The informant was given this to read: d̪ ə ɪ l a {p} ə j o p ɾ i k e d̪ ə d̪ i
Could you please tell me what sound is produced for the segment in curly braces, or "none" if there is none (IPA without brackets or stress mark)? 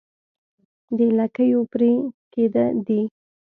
k